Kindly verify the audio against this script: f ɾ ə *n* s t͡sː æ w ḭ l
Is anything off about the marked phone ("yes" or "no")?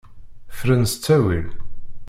no